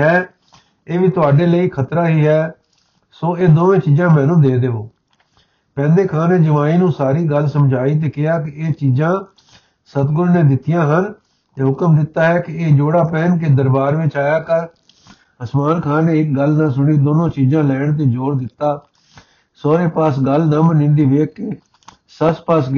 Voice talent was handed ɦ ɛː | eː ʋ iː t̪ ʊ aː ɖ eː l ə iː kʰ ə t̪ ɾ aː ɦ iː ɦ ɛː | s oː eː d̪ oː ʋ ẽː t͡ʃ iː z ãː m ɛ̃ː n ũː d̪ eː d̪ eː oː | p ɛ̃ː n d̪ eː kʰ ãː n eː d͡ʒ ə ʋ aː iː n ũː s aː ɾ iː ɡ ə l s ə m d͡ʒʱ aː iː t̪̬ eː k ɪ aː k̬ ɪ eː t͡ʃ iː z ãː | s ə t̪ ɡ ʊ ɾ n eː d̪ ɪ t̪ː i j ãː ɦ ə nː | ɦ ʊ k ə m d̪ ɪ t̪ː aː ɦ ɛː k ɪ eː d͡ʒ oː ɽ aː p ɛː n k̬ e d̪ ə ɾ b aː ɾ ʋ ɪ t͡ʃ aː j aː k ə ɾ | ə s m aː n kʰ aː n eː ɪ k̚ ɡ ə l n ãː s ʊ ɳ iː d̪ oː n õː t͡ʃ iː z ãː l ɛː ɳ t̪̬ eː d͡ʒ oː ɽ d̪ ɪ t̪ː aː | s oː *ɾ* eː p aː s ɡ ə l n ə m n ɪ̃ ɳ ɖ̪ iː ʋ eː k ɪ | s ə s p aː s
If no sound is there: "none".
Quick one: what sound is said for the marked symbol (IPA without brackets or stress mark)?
ɾ